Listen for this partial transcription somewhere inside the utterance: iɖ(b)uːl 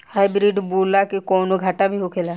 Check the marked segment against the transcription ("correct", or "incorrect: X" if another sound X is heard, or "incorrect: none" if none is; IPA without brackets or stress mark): correct